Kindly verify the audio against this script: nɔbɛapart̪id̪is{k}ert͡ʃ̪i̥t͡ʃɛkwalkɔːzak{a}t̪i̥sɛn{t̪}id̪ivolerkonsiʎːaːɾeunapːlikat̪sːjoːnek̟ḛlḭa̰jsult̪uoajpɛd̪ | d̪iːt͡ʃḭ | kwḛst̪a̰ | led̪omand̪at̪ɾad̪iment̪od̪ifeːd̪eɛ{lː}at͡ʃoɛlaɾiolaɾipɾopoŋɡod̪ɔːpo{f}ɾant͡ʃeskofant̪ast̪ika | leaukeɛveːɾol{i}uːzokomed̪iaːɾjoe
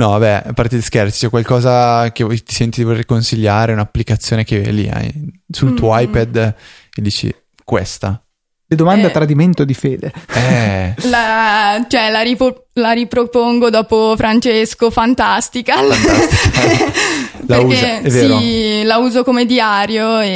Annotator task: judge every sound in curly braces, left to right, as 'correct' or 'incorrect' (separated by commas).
correct, incorrect, correct, incorrect, correct, incorrect